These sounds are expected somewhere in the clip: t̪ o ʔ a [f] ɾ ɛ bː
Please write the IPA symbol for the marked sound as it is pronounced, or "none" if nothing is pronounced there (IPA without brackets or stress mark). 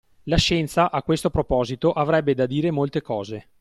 v